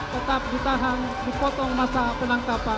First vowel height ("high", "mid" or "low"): mid